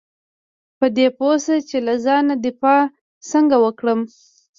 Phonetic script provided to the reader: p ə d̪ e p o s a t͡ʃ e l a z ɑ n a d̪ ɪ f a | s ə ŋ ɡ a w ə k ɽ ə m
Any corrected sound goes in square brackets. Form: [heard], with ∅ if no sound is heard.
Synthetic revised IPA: p ə d̪ e p o s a t͡ʃ e l a z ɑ n a d̪ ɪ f [ɑ] | s ə ŋ ɡ a w ə k ɽ ə m